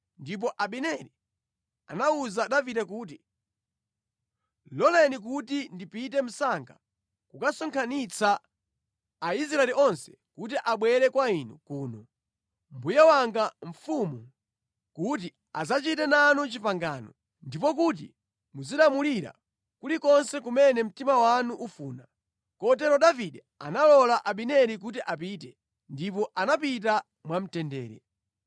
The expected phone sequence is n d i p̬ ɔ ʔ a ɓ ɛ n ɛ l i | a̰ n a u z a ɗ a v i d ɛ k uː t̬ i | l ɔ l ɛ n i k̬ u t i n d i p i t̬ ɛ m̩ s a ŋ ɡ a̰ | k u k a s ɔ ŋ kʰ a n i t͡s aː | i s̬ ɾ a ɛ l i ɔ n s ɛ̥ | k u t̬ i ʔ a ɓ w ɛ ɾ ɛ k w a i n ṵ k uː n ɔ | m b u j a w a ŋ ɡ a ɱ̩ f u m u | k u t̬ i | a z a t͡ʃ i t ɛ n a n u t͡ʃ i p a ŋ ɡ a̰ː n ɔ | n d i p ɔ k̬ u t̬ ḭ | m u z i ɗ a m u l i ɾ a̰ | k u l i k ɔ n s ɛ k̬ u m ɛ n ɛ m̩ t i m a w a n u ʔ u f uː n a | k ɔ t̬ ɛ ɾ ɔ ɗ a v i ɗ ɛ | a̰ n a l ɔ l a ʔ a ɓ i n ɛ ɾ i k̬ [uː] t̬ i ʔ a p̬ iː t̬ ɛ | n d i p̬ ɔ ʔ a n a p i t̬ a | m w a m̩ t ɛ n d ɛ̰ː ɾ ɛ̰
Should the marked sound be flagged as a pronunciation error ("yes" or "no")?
yes